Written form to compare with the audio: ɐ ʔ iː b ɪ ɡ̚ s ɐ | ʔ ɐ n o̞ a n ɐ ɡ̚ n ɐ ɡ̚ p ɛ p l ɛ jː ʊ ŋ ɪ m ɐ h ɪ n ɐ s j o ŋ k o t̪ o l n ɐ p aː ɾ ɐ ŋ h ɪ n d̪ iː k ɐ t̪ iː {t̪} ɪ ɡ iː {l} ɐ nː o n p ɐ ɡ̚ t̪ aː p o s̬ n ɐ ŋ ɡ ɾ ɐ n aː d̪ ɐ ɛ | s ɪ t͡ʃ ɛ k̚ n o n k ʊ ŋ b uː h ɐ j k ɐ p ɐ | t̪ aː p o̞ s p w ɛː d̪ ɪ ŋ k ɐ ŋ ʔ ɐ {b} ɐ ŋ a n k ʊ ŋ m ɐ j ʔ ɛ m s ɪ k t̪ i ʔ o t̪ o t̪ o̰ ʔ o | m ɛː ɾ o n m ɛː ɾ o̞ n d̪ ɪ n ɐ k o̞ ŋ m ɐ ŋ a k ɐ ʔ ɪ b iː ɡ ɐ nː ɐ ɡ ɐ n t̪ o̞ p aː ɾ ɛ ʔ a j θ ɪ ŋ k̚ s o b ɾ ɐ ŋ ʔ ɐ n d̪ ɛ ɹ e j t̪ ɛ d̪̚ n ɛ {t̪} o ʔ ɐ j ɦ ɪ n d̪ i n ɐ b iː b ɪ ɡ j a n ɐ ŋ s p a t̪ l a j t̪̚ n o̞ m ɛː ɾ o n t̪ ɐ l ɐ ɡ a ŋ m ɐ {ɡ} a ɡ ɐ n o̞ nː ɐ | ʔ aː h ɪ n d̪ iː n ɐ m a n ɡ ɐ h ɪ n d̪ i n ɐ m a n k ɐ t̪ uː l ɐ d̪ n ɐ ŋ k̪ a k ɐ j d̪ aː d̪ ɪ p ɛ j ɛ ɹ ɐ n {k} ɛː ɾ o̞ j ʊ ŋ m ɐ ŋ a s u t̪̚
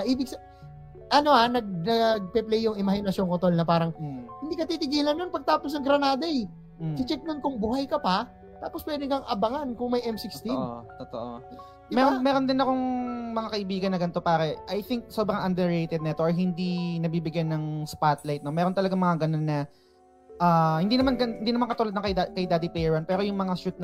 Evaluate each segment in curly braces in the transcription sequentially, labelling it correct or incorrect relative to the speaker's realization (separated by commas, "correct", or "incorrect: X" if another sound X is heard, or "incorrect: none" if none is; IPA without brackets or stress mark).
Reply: correct, correct, correct, correct, incorrect: ŋ, incorrect: p